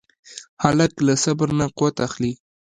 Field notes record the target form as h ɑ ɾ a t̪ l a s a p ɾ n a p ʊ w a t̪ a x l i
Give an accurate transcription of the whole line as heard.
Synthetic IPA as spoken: h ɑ l a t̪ l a s a b ɾ n a q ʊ w a t̪ a x l i